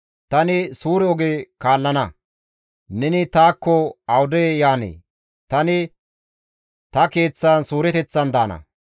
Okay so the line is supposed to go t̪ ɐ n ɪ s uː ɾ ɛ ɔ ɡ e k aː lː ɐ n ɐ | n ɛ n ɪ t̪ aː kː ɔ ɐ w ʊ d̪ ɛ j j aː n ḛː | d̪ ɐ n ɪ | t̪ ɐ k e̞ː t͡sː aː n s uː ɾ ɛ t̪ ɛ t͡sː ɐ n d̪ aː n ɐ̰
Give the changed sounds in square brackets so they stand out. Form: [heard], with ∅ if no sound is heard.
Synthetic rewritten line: t̪ ɐ n ɪ s uː ɾ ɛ ɔ ɡ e k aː lː ɐ n ɐ | n ɛ n ɪ t̪ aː kː ɔ ɐ w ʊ d̪ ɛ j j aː n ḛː | [t̪] ɐ n ɪ | t̪ ɐ k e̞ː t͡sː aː n s uː ɾ ɛ t̪ ɛ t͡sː ɐ n d̪ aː n ɐ̰